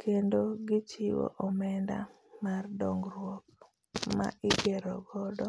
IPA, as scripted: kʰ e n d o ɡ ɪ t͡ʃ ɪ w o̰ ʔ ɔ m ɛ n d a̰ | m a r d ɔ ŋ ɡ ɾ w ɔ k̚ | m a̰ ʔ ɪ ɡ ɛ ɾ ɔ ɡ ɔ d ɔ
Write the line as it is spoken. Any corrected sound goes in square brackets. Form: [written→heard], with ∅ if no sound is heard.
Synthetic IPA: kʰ e n d o ɡ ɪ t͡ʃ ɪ w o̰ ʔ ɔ m ɛ n d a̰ | m a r d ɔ ŋ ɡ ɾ w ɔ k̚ | m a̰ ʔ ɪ ɡ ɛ ɾ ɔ ɡ ɔ d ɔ